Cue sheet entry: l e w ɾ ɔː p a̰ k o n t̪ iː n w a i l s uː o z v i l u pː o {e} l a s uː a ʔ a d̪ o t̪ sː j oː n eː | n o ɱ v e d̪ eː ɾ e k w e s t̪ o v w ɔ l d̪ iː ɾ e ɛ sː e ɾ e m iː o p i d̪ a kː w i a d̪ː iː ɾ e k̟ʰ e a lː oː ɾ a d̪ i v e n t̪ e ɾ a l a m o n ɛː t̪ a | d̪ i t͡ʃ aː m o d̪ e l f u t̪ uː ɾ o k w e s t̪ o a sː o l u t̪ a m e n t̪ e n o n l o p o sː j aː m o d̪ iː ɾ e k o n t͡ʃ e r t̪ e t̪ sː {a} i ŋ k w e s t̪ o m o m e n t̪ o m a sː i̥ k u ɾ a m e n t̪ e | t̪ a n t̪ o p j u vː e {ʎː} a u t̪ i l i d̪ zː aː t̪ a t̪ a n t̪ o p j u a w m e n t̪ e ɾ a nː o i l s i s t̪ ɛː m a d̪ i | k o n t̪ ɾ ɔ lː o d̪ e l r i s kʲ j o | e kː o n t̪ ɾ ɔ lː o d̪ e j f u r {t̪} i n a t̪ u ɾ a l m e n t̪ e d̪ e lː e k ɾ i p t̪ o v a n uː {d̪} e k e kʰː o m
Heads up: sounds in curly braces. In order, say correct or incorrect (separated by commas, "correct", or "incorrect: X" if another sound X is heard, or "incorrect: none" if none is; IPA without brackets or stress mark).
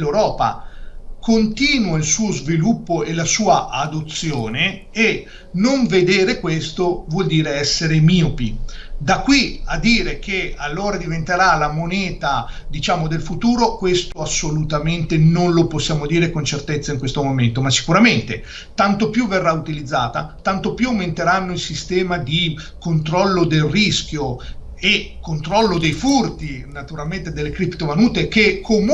correct, correct, incorrect: rː, correct, incorrect: t̪